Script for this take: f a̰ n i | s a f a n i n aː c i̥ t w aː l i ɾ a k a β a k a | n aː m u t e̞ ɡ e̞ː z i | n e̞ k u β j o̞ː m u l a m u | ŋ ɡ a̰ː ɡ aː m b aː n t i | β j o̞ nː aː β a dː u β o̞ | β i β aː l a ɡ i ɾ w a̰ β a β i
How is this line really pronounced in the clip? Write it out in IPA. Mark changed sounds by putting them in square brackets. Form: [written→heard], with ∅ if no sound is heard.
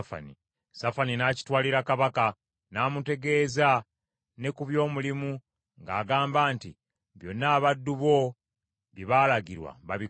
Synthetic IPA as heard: f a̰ n i | s a f a n i n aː c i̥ t w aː l i ɾ a k a β a k a | n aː m u t e̞ ɡ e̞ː z [i→a] | n e̞ k u β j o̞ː m u l [a→i] m u | ŋ ɡ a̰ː ɡ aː m b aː n t i | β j o̞ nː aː β a dː u β o̞ | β i β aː l a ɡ i ɾ w a̰ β a β i